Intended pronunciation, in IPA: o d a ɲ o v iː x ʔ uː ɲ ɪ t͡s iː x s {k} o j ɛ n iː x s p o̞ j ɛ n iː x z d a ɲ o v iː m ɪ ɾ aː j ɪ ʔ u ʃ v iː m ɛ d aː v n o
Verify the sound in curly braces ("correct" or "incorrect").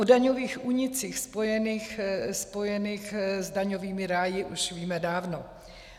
incorrect